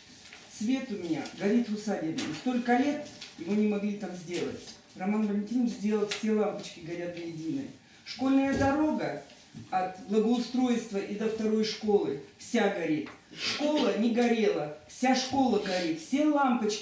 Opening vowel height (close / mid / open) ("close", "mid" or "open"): mid